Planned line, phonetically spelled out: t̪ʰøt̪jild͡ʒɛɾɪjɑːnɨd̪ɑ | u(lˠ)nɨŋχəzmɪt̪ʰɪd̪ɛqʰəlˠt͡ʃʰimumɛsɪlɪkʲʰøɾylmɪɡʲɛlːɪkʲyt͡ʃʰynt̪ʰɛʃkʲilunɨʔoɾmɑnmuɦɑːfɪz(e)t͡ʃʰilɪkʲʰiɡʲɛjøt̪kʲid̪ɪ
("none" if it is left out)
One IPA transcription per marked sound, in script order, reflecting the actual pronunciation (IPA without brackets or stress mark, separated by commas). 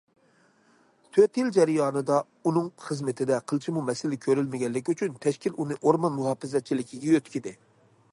none, ɛ